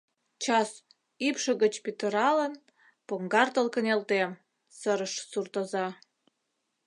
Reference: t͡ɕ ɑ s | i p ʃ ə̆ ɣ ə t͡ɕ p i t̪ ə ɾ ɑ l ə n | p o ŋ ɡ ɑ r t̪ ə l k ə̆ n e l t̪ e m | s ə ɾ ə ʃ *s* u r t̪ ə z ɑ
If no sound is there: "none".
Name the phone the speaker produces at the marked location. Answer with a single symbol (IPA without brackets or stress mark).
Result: s